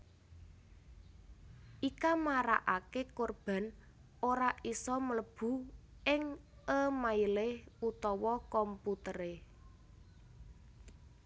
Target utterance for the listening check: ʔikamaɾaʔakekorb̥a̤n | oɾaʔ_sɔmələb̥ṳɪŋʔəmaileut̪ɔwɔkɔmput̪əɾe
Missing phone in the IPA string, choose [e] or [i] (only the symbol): i